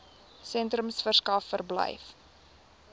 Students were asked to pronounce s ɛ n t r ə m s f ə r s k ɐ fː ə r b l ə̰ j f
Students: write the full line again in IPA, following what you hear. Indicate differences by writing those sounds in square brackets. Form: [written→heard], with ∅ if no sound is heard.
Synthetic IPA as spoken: s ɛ n t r ə m s f ə r s k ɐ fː ə r b l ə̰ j f